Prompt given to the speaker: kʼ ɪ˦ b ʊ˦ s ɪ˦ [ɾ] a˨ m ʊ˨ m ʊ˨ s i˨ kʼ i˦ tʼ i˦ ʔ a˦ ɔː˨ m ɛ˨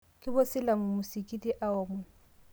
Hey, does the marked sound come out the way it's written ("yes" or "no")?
no